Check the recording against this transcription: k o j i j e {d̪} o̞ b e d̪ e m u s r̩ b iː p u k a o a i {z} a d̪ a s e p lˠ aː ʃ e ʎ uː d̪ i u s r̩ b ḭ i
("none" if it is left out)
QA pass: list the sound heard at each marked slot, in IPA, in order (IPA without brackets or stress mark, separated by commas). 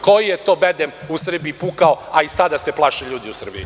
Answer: t̪, s